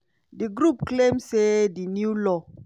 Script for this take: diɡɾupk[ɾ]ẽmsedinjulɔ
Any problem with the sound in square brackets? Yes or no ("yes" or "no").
yes